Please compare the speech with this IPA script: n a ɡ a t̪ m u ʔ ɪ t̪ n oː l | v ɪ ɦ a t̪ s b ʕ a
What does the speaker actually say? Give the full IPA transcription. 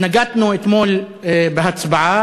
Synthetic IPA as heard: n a ɡ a t̪ n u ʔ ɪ t̪ m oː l | b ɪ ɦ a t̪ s b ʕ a